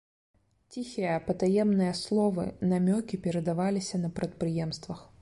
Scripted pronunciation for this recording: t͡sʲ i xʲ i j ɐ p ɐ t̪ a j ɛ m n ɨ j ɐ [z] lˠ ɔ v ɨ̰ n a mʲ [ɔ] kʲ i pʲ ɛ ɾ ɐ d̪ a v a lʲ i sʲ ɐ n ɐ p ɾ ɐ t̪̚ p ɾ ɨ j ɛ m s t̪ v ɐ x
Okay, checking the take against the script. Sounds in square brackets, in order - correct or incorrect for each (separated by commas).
incorrect, correct